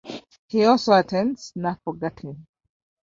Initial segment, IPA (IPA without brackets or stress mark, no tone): h